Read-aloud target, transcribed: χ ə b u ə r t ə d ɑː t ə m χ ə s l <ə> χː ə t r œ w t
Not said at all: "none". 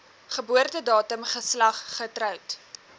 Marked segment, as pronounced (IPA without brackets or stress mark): ɐ